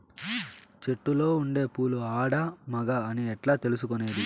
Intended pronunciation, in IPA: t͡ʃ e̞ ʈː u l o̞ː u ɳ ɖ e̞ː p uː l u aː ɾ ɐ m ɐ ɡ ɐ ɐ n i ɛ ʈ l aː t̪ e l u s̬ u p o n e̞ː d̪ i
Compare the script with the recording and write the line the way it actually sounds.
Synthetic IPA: t͡ʃ e̞ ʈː u l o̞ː u ɳ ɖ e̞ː p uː l u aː ɽ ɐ m ɐ ɡ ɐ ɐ n i ɛ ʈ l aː t̪ e l u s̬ u k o n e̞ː d̪ i